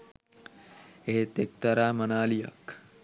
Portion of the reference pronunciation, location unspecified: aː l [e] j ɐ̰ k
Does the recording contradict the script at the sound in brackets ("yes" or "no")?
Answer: yes